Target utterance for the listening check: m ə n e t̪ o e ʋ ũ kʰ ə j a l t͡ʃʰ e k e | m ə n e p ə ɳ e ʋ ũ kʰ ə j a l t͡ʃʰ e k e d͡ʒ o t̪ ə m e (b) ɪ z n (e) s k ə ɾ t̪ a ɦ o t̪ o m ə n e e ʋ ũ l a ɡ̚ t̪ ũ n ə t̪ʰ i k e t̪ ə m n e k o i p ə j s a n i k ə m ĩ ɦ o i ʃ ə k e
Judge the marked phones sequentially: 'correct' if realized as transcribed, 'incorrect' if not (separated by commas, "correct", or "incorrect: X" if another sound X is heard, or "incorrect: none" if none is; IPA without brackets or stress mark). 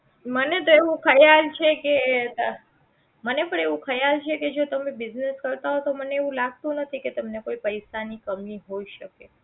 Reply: correct, correct